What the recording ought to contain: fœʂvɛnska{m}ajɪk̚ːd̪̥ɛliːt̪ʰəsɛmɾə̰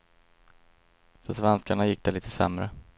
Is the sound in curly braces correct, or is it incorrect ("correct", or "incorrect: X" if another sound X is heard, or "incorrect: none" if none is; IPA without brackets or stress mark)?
incorrect: ɳ